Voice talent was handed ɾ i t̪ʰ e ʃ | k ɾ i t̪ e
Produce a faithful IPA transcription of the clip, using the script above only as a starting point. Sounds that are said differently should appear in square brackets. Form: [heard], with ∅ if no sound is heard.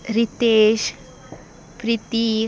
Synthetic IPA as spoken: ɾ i [t̪] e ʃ | [p] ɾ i t̪ [i]